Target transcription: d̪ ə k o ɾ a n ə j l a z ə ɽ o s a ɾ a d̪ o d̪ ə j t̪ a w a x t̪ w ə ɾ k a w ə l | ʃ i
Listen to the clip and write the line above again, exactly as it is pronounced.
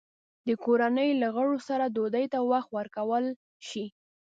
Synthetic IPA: d̪ ə k o ɾ a n ə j l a ɣ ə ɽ o s a ɾ a d̪ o d̪ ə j t̪ a w a x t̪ w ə ɾ k a w ə l | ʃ i